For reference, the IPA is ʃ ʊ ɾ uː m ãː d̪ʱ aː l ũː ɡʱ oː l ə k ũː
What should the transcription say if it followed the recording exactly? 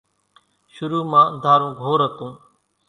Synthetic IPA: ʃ ʊ ɾ uː m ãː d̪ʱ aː ɾ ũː ɡʱ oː ɾ ə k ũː